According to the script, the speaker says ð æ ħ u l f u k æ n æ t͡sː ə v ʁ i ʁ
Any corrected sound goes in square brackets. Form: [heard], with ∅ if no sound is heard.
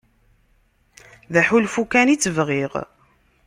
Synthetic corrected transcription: ð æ ħ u l f u k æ n [i] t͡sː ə v ʁ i ʁ